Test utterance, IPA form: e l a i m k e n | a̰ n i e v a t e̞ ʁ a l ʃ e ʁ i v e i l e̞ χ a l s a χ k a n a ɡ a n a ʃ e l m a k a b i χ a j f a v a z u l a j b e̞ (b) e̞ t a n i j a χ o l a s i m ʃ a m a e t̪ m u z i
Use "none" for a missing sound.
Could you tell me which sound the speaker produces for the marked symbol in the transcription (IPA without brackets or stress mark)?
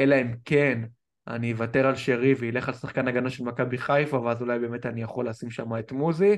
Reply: m